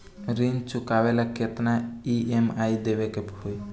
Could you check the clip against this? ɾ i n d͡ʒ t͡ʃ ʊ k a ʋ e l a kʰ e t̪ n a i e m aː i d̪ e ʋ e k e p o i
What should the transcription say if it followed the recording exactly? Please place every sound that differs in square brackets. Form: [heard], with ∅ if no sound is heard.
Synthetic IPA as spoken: ɾ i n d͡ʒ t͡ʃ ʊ k a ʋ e l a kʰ e t̪ n a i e m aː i d̪ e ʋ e k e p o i